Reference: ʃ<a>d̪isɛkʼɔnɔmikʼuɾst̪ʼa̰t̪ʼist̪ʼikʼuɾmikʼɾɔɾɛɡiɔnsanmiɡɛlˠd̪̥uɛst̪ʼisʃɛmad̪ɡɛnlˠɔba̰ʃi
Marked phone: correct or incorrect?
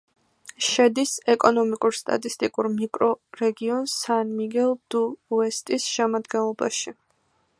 incorrect